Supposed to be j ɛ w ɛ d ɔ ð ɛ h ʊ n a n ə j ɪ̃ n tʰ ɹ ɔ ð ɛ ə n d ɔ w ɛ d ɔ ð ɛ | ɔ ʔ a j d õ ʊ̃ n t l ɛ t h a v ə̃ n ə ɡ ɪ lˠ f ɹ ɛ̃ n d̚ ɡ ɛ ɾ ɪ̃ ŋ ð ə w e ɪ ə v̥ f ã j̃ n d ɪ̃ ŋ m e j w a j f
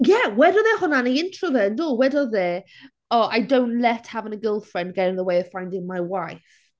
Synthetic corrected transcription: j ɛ w ɛ d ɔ ð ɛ h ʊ n a n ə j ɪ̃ n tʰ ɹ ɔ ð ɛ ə n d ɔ w ɛ d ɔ ð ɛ | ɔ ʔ a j d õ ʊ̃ n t l ɛ t h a v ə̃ n ə ɡ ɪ lˠ f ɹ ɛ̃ n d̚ ɡ ɛ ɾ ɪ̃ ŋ ð ə w e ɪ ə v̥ f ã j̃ n d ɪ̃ ŋ m a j w a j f